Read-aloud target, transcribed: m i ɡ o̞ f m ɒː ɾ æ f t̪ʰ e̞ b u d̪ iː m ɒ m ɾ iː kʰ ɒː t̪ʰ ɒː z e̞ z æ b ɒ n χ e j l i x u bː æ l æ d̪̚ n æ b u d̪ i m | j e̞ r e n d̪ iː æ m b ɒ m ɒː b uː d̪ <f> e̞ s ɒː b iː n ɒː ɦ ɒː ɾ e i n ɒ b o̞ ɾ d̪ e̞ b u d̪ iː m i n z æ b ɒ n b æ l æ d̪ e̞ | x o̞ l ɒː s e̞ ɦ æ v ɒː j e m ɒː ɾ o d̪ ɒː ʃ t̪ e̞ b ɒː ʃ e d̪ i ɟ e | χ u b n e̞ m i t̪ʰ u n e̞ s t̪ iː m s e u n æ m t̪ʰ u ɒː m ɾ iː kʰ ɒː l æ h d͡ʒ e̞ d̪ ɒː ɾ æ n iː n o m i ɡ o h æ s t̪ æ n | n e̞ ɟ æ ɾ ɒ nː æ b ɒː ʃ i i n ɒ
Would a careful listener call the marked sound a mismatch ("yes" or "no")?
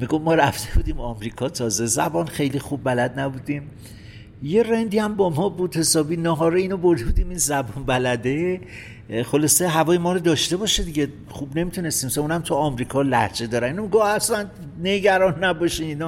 yes